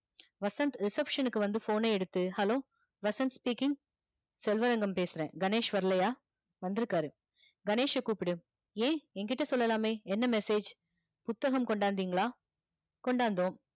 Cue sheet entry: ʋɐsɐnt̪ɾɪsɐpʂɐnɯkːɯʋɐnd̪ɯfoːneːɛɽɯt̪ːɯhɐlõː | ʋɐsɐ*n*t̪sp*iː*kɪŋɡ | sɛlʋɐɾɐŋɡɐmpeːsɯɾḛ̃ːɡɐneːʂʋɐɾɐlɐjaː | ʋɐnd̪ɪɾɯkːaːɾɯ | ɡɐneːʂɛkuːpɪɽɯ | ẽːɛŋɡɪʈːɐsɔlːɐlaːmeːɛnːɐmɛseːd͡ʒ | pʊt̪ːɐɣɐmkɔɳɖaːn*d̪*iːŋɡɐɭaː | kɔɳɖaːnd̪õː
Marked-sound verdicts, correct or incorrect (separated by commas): correct, correct, correct